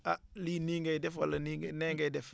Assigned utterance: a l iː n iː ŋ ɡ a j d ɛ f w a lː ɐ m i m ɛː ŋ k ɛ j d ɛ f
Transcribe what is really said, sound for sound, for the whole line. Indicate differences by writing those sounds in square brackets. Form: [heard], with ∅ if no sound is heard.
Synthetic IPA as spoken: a l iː n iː ŋ ɡ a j d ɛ f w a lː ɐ [n] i [n] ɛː ŋ [ɡ] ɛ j d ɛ f